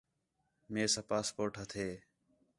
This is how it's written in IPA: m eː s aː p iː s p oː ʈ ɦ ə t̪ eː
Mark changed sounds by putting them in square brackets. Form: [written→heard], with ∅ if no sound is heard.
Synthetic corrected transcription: m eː s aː p [iː→aː] s p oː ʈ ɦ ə [t̪→t̪ʰ] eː